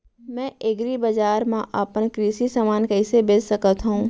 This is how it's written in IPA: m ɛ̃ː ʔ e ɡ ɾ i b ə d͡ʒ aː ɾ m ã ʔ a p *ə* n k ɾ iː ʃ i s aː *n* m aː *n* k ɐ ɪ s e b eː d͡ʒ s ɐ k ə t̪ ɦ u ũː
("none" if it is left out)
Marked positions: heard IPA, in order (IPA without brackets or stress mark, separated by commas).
ə, none, n